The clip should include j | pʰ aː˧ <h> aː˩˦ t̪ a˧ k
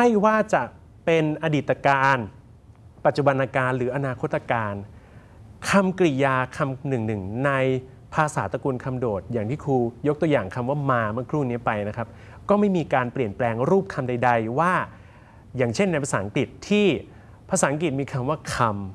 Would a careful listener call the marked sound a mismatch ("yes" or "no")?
yes